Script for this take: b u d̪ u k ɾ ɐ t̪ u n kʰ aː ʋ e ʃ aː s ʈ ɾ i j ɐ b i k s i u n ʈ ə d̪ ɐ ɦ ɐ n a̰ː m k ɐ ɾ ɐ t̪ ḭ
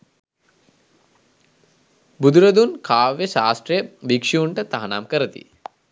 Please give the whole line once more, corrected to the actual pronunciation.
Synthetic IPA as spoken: b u d̪ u ɾ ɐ d̪ u n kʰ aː ʋ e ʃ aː s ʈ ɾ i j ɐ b i k ʂ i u ɳ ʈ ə t̪ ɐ ɦ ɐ n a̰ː m k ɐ ɾ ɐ t̪ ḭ